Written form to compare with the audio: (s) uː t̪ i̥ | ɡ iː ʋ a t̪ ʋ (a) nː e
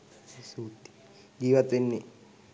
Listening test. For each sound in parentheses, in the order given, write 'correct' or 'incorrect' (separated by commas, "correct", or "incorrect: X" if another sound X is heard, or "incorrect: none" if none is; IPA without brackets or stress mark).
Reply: correct, incorrect: e